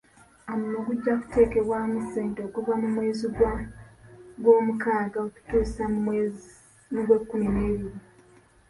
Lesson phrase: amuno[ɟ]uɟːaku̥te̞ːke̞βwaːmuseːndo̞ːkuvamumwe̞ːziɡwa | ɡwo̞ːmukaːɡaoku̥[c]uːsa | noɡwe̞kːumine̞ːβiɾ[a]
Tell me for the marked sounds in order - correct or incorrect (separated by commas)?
incorrect, incorrect, incorrect